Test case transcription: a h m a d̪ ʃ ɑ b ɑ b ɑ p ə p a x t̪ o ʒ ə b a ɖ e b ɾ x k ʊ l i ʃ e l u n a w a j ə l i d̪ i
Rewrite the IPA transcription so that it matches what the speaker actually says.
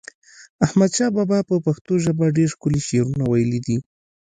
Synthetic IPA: a h m a d̪ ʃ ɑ b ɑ b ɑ p ə p a x t̪ o ʒ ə b a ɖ e ɾ x k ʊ l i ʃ e ɾ u n a w a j ə l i d̪ i